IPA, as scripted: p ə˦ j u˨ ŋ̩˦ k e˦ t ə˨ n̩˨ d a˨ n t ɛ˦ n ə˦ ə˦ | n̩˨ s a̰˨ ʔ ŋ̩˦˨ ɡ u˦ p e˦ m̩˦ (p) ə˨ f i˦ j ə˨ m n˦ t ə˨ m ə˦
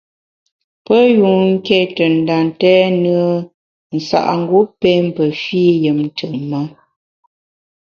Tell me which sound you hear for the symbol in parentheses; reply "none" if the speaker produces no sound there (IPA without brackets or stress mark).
p